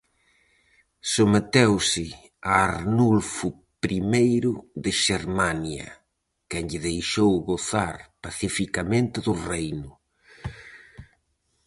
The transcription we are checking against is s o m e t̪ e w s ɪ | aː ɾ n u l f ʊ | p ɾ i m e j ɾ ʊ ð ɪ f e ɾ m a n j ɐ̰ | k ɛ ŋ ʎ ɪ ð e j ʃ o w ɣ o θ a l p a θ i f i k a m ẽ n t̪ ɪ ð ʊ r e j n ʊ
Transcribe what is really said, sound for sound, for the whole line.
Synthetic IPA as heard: s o m e t̪ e w s ɪ | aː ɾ n u l f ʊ | p ɾ i m e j ɾ ʊ ð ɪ ʃ e ɾ m a n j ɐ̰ | k ɛ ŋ ʎ ɪ ð e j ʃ o w ɣ o θ a ɾ p a θ i f i k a m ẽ n t̪ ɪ ð ʊ r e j n ʊ